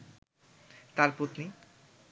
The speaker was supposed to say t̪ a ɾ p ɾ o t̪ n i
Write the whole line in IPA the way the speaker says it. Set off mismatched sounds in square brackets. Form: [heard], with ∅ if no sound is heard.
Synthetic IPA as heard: t̪ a ɾ p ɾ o t̪ n i